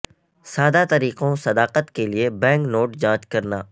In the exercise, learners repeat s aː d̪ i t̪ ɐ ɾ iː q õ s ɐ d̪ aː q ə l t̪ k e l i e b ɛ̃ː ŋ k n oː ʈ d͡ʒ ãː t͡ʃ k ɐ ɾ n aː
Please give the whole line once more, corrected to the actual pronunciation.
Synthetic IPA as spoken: s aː d̪ a t̪ ɐ ɾ iː q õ s ɐ d̪ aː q ə t̪ k e l i e b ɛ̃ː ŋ k n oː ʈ d͡ʒ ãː t͡ʃ k ɐ ɾ n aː